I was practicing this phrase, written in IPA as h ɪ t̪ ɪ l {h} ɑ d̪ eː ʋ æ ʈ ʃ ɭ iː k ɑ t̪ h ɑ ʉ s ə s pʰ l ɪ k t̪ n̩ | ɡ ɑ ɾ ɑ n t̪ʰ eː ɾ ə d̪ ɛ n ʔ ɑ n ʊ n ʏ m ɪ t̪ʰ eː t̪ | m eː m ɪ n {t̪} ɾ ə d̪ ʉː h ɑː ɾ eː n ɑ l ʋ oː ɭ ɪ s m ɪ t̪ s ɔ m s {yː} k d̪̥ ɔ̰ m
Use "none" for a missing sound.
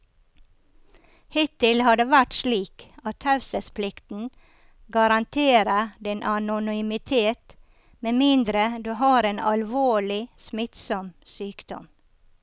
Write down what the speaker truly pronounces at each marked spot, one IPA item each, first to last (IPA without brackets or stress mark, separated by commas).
h, d̪, yː